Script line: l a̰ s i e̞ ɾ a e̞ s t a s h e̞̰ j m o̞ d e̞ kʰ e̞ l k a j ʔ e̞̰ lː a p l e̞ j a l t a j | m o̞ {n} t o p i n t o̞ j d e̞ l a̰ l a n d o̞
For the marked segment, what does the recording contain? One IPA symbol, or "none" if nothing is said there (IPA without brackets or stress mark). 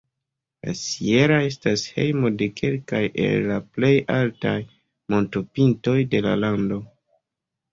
n